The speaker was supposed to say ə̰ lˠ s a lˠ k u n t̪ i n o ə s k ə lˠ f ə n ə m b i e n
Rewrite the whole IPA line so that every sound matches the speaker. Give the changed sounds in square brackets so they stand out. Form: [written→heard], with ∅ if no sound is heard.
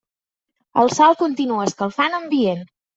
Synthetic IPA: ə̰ lˠ s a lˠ k u n t̪ i n [o→u] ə s k ə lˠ f [ə→a] n ə m b i e n